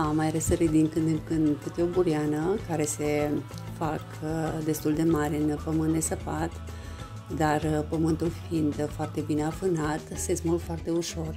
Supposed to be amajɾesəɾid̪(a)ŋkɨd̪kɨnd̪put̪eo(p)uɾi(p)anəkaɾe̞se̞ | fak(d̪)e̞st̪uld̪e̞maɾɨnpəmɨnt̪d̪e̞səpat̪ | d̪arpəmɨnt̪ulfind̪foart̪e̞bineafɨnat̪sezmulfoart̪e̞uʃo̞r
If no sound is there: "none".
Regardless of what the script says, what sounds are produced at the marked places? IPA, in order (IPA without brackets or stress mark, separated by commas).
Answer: i, b, none, d̪